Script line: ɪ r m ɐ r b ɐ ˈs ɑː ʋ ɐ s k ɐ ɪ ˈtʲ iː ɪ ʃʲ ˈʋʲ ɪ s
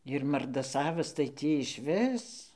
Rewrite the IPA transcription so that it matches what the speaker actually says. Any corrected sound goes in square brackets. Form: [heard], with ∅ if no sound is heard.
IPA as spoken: ɪ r m ɐ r [d] ɐ ˈs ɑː ʋ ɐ s [t] ɐ ɪ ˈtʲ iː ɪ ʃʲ ˈʋʲ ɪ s

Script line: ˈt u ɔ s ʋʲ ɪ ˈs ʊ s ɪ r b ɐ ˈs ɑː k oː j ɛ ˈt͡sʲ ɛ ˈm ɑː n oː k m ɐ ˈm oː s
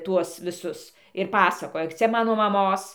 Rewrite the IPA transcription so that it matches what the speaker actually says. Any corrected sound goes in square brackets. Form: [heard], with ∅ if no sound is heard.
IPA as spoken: ˈt u ɔ s ʋʲ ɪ ˈs ʊ s ɪ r [p] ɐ ˈs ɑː k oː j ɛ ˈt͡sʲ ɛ ˈm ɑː n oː [∅] m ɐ ˈm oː s

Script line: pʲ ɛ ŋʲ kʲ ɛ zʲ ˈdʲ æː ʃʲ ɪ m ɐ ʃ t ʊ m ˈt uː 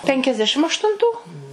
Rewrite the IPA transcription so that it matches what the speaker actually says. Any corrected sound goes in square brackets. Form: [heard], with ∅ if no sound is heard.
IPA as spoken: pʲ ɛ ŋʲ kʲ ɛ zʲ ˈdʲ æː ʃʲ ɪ m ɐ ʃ t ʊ [n] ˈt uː

